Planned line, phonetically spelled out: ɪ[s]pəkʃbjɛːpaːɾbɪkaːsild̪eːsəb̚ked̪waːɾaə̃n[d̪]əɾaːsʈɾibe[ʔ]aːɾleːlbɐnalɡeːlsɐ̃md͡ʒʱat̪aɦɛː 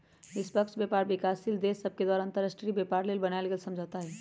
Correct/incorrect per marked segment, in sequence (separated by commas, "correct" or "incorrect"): correct, incorrect, incorrect